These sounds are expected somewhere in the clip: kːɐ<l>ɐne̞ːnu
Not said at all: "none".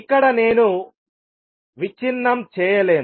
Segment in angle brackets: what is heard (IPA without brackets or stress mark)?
ɽ